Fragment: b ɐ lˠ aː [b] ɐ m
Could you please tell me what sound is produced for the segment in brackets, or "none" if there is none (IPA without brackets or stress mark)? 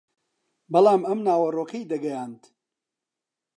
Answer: m